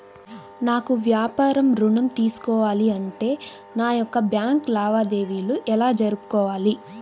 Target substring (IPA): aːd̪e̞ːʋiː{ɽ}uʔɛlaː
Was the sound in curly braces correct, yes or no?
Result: no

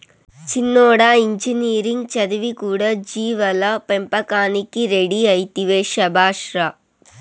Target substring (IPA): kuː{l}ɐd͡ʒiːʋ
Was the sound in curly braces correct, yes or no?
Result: no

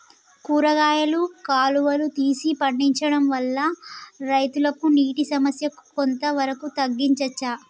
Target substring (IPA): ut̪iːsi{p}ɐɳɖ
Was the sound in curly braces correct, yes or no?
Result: yes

